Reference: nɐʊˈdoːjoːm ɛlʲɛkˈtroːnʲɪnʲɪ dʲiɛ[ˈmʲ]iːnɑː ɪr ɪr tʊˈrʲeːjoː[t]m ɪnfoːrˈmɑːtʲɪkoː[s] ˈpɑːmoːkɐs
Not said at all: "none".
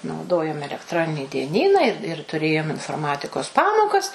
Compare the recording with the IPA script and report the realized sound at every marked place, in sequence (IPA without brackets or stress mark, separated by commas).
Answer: nʲ, none, s